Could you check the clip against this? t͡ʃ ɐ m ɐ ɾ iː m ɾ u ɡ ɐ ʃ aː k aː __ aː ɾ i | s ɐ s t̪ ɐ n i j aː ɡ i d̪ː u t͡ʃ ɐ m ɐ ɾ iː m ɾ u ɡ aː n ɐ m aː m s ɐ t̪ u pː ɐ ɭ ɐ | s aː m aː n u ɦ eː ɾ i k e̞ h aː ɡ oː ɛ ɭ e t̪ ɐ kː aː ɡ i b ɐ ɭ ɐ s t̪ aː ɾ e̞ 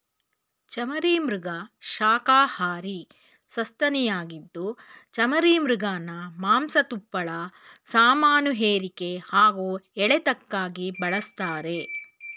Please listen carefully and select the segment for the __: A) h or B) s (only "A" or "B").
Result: A